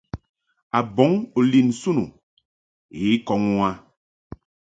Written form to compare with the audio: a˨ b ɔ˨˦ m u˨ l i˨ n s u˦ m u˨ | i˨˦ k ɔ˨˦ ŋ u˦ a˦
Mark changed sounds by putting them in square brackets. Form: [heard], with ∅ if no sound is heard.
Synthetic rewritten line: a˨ b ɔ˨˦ [ŋ] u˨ l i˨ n s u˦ [n] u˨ | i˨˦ k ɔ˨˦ ŋ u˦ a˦